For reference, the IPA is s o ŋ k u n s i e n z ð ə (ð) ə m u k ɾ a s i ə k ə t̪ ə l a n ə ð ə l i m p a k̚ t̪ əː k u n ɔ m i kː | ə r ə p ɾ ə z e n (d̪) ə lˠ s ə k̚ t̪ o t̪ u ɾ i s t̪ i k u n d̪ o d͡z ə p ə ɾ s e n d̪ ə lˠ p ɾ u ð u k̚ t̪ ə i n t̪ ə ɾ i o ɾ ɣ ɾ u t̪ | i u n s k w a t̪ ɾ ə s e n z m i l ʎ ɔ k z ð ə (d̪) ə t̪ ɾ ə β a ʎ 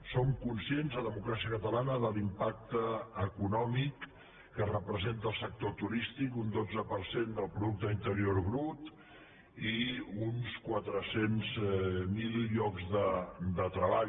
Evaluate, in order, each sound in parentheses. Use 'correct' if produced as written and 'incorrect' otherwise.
correct, incorrect, correct

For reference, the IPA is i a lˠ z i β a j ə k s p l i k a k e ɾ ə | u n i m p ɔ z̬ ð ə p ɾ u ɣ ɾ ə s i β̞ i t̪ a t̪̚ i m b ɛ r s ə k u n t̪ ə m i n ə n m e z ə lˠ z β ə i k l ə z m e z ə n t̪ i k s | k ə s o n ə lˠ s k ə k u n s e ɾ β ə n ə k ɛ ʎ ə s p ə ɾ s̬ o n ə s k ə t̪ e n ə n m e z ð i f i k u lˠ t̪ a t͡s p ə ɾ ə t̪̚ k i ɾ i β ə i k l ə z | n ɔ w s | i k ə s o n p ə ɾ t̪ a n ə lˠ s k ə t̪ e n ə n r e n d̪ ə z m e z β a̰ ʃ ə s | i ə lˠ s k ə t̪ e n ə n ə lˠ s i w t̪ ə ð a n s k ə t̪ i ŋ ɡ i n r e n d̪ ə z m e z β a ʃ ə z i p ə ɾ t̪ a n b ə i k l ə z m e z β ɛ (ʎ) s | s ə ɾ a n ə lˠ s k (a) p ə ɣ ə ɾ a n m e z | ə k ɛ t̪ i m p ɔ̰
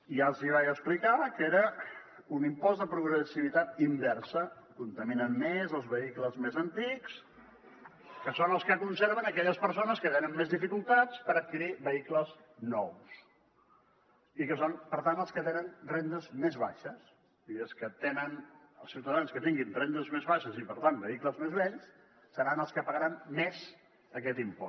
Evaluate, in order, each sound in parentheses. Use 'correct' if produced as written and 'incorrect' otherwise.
correct, incorrect

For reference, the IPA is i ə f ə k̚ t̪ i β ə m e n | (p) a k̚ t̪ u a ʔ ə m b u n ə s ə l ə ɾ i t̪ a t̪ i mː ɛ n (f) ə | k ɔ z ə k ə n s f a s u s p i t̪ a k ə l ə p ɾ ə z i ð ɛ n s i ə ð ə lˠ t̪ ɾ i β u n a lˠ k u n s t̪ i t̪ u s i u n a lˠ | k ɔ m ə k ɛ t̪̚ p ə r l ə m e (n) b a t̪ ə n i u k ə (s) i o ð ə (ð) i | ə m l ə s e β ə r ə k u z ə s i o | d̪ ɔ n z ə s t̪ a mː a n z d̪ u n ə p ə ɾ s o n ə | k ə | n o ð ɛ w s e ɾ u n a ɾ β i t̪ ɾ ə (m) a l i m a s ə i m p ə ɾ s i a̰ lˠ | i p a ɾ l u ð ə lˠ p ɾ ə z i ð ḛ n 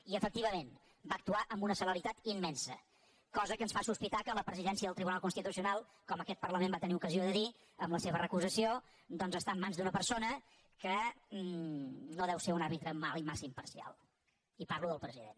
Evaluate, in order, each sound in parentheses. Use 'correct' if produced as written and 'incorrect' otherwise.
incorrect, incorrect, incorrect, incorrect, correct, correct

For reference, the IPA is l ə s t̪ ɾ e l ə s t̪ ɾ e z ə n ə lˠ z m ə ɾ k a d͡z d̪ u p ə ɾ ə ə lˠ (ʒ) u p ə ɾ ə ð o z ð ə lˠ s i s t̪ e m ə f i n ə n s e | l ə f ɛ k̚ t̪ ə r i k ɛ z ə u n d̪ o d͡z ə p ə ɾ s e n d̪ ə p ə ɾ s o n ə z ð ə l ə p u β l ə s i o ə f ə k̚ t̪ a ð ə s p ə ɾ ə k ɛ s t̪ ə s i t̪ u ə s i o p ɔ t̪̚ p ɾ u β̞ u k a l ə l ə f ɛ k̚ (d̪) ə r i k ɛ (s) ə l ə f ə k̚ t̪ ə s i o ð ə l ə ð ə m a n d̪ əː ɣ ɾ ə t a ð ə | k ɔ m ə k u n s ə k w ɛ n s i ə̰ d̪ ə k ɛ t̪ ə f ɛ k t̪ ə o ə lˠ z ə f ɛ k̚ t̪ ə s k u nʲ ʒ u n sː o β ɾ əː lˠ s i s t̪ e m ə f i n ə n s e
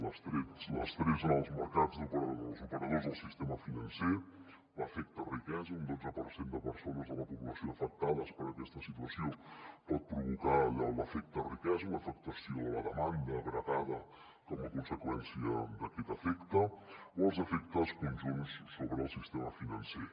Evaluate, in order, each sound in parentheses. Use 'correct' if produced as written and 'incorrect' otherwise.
incorrect, incorrect, incorrect

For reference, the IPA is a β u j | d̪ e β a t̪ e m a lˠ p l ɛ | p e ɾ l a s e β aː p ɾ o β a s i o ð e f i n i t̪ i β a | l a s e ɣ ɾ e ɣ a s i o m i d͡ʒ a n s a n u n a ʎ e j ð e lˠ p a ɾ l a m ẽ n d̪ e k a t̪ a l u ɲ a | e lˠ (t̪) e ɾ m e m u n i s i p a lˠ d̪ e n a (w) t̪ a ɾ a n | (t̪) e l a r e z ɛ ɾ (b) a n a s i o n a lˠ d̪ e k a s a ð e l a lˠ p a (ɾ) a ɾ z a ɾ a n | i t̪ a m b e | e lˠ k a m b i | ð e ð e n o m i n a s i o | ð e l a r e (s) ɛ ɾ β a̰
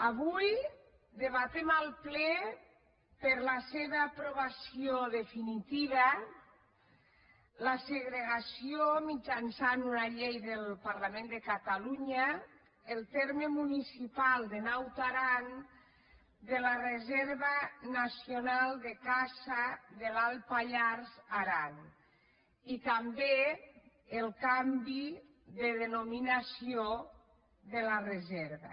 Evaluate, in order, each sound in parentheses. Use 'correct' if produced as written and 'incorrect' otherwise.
correct, correct, incorrect, incorrect, incorrect, incorrect

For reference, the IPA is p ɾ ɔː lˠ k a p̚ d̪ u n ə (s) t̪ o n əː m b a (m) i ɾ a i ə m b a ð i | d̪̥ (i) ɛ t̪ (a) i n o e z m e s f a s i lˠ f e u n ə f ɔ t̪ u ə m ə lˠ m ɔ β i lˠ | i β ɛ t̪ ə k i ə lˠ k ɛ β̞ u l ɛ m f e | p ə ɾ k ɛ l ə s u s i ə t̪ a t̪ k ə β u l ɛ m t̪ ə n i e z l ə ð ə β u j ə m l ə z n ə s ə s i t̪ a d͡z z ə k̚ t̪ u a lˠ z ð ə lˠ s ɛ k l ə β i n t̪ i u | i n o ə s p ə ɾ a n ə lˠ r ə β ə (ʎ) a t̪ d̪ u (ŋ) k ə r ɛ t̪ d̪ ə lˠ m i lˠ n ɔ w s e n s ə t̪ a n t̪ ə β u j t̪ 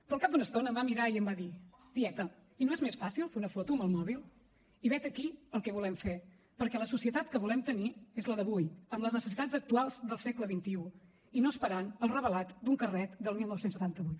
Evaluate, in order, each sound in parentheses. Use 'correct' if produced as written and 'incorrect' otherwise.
correct, correct, correct, incorrect, incorrect, correct

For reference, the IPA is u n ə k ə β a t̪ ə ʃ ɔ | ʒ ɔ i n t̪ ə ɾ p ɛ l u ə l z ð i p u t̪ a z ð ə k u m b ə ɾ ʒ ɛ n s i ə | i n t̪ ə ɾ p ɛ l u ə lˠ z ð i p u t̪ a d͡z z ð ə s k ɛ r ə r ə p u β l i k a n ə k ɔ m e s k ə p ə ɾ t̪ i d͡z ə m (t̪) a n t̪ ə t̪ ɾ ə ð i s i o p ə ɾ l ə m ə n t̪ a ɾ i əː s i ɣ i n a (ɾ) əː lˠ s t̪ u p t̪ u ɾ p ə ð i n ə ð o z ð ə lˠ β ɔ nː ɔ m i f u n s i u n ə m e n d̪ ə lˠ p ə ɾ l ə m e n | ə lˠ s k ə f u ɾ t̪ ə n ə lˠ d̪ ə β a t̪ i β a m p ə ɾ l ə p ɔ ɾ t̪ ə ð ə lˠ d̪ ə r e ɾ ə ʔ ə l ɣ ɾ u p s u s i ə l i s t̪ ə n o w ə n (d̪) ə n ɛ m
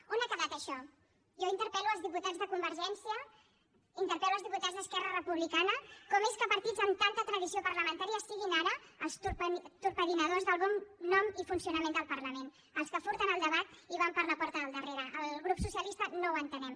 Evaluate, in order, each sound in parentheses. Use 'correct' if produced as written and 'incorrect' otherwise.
correct, correct, incorrect

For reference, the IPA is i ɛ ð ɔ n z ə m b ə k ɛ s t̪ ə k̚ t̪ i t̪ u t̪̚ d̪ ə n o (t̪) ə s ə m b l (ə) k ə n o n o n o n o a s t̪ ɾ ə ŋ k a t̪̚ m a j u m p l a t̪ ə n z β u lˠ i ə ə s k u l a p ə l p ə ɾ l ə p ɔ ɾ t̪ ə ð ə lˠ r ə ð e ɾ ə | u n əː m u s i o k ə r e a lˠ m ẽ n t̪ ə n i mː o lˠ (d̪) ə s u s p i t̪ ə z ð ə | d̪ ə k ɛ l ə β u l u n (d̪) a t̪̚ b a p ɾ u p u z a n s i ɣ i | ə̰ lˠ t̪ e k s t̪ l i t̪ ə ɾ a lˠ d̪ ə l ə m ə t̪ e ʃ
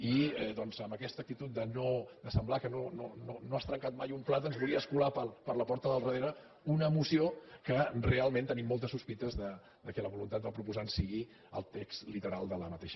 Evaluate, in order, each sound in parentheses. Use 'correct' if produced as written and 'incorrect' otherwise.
incorrect, incorrect, incorrect, incorrect

